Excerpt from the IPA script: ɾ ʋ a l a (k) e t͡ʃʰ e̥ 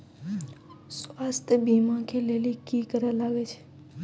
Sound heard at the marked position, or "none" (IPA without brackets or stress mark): ɡ